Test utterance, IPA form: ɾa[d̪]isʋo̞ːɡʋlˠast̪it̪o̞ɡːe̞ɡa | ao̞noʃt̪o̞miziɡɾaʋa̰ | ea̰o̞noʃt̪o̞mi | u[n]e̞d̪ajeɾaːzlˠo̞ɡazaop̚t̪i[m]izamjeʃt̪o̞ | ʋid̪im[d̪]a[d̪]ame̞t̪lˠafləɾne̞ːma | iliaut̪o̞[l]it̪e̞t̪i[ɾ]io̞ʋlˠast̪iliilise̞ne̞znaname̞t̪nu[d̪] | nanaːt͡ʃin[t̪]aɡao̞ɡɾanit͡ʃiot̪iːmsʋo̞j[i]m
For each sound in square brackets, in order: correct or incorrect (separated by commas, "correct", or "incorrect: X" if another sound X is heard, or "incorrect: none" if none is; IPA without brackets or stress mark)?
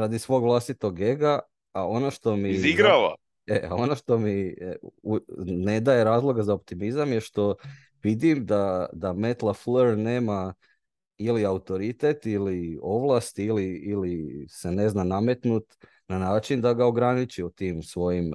correct, correct, correct, correct, correct, incorrect: ɾ, incorrect: l, incorrect: t̪, incorrect: d̪, correct